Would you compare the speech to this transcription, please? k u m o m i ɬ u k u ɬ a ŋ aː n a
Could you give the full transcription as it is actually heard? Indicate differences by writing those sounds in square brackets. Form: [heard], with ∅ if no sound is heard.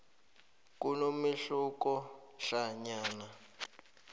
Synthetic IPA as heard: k u [n] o m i ɬ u k [ɔ] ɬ a [ɲ] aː n a